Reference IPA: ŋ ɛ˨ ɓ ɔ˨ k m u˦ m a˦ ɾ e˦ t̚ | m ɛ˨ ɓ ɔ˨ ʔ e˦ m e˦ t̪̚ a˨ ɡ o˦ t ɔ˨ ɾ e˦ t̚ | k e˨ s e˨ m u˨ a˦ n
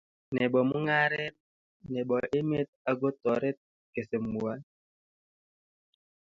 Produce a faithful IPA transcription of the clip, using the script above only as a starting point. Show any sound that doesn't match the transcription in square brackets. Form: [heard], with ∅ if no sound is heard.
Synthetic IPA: [n] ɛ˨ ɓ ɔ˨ [∅] m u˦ [ŋ] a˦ ɾ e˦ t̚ | [n] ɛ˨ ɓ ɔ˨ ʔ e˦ m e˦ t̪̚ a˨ ɡ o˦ t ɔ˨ ɾ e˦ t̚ | k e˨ s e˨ m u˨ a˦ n